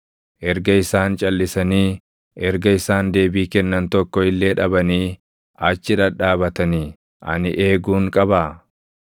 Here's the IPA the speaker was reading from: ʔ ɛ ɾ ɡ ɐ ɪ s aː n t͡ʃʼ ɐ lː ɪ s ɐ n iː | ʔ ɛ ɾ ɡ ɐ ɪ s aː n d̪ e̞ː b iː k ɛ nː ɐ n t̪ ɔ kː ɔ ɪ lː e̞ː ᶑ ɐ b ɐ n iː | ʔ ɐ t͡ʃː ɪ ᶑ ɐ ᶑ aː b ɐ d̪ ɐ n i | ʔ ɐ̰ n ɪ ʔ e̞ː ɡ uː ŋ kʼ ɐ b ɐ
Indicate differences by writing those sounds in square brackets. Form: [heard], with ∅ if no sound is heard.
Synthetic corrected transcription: ʔ ɛ ɾ ɡ ɐ ɪ s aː n t͡ʃʼ ɐ lː ɪ s ɐ n iː | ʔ ɛ ɾ ɡ ɐ ɪ s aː n d̪ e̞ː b iː k ɛ nː ɐ n t̪ ɔ kː ɔ ɪ lː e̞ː ᶑ ɐ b ɐ n iː | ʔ ɐ t͡ʃː ɪ ᶑ ɐ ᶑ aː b ɐ [t̪] ɐ n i | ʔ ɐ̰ n ɪ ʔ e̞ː ɡ uː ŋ kʼ ɐ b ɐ